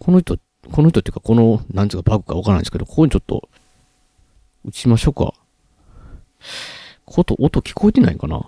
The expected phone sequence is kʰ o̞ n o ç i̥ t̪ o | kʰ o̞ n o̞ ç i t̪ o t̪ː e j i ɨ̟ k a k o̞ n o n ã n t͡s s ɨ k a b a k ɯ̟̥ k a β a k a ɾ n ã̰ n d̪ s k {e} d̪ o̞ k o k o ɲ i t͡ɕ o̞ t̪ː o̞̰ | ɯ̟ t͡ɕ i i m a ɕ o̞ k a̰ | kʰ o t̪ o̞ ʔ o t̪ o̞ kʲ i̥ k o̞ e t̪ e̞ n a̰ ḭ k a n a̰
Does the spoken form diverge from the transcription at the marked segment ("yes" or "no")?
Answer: no